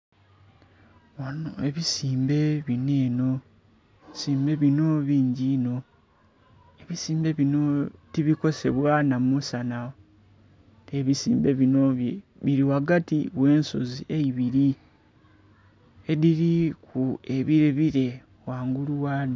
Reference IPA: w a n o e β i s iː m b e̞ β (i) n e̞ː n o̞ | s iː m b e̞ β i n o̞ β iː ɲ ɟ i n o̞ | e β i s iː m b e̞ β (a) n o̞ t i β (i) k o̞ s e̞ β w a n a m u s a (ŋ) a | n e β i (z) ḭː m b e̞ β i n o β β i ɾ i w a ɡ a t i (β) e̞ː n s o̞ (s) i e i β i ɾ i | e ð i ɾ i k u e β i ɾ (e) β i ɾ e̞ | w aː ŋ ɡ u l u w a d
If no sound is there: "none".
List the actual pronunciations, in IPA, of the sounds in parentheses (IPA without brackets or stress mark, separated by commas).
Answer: i, i, i, n, s, w, z, e